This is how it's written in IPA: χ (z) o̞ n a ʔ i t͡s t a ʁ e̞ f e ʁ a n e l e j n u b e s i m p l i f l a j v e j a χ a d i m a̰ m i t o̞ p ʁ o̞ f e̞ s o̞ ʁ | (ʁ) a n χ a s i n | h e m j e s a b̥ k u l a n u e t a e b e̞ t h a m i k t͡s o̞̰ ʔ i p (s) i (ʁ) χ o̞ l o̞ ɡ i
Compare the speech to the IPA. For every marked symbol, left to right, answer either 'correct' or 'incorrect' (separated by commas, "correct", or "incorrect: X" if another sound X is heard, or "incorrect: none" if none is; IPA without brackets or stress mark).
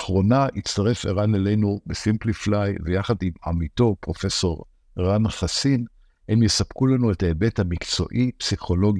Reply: incorrect: ʁ, correct, correct, incorrect: none